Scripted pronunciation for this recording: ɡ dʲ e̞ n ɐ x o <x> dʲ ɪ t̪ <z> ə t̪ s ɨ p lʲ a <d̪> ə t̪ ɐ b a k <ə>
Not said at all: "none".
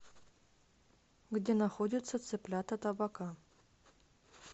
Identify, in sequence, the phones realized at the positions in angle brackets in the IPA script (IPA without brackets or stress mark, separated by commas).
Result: none, s, t̪, a